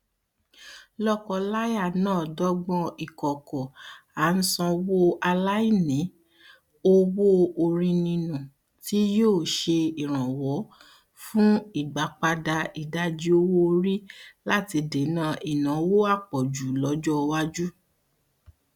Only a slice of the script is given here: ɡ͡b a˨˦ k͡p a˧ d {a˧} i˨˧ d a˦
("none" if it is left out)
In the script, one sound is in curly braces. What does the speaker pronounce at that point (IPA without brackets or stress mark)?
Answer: a˧